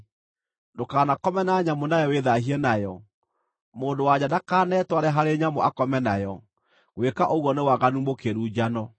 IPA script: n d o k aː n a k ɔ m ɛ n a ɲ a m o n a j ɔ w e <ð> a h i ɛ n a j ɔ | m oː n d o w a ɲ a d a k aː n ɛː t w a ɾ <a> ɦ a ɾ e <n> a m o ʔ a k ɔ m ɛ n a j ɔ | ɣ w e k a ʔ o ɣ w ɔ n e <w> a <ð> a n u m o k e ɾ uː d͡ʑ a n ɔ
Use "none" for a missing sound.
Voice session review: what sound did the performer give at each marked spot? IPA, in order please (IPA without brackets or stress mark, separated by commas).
ð, ɛ, ɲ, w, ɣ